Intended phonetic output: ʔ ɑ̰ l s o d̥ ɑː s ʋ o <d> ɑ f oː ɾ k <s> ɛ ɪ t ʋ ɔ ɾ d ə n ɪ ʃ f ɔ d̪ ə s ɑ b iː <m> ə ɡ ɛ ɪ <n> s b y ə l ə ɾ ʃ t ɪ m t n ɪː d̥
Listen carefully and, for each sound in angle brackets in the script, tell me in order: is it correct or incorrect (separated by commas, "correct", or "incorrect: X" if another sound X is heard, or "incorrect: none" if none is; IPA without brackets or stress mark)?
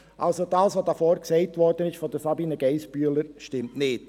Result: correct, correct, incorrect: n, incorrect: none